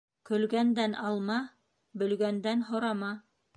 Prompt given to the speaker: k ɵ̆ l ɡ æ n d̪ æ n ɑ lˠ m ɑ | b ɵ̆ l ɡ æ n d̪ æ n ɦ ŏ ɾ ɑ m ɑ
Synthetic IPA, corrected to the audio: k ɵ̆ l ɡ æ n d̪ æ n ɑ lˠ m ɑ | b ɵ̆ l ɡ æ n d̪ æ n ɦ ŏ ɾ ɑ m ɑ